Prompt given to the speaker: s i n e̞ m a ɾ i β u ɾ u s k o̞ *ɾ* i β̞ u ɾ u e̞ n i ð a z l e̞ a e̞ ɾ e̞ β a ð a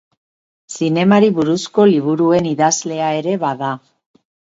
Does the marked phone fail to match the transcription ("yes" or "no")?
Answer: yes